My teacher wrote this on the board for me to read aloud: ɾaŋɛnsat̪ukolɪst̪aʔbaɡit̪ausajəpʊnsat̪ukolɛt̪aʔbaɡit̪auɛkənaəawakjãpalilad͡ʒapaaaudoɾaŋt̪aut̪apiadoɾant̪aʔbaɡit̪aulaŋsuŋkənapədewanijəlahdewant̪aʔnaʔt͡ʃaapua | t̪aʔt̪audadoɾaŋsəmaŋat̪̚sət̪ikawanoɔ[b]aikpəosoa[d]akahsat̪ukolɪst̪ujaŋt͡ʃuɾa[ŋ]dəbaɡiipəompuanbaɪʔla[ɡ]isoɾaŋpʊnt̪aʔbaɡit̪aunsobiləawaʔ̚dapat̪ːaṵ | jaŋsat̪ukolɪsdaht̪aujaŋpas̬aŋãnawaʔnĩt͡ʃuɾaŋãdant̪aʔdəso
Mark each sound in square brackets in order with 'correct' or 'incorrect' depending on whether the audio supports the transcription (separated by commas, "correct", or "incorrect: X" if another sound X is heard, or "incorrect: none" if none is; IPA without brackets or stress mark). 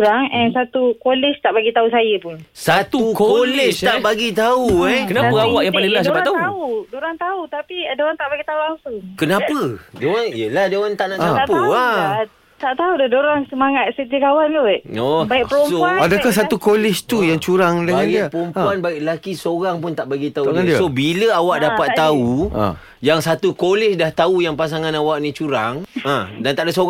correct, correct, correct, incorrect: k